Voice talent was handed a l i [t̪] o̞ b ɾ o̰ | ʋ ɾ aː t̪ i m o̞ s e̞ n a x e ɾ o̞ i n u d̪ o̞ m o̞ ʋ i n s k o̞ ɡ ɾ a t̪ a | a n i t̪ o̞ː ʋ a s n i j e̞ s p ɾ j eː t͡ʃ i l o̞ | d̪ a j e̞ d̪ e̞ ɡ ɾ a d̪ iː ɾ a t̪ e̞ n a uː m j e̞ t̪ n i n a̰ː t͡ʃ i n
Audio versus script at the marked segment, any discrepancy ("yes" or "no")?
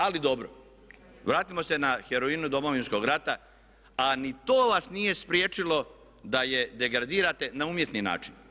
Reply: yes